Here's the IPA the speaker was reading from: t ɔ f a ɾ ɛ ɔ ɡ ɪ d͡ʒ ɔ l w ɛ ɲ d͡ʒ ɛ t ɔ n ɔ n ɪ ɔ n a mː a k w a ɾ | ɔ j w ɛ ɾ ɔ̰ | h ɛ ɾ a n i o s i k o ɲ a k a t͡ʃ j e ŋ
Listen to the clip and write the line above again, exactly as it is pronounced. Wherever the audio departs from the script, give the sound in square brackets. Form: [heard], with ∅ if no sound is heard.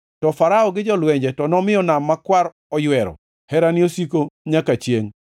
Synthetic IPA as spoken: t ɔ f a ɾ [a] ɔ ɡ ɪ d͡ʒ ɔ l w ɛ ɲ d͡ʒ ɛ t ɔ n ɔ [m] ɪ ɔ n a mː a k w a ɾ | ɔ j w ɛ ɾ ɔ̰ | h ɛ ɾ a n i o s i k o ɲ a k a t͡ʃ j e ŋ